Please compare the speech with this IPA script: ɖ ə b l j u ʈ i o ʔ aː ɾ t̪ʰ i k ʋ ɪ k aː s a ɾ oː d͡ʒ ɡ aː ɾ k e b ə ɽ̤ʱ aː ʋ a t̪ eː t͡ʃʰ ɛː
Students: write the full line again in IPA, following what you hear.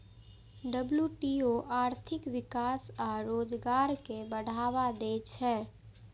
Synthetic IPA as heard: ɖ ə b l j u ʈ i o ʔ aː ɾ t̪ʰ ɪ k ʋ ɪ k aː s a ɾ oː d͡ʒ ɡ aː ɾ k e b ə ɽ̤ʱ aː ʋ a d̪ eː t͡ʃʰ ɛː